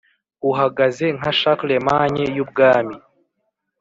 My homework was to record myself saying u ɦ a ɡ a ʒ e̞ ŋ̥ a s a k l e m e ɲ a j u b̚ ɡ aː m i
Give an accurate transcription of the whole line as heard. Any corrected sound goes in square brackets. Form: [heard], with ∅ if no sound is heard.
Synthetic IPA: u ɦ a ɡ a [z] e̞ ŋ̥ a [ʃ] a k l e m [a] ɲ [e] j u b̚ ɡ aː m i